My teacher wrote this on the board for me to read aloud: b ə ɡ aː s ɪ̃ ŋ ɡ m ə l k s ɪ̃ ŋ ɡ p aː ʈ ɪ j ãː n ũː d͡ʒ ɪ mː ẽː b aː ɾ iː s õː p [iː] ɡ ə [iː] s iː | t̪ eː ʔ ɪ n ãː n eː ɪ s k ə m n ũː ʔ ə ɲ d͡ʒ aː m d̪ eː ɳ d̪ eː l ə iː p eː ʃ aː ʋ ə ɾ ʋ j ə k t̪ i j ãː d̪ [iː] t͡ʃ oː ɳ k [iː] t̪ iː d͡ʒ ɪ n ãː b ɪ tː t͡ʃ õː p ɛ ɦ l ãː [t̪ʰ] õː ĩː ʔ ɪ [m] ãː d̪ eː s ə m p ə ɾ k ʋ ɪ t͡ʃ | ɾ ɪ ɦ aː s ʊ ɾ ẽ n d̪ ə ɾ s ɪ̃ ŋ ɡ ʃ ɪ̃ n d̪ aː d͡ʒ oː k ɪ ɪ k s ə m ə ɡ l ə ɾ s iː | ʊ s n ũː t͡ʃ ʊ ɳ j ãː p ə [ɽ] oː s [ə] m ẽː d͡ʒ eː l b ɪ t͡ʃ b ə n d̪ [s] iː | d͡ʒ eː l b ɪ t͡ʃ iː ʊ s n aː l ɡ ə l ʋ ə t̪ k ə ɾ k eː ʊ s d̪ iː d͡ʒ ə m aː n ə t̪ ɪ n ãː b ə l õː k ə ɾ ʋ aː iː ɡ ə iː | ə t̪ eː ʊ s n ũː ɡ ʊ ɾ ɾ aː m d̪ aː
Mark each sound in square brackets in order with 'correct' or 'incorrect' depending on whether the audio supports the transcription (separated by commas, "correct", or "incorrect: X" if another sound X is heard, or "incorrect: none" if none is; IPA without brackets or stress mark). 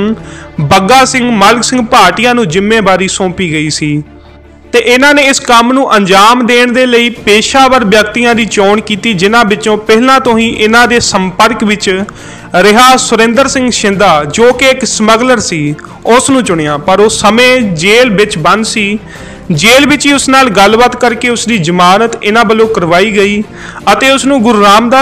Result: correct, correct, correct, correct, incorrect: t̪, incorrect: n, incorrect: ɾ, correct, correct